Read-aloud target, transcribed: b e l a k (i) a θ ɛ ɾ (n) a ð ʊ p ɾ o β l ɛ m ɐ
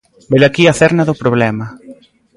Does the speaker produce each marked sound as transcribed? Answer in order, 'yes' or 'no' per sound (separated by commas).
yes, yes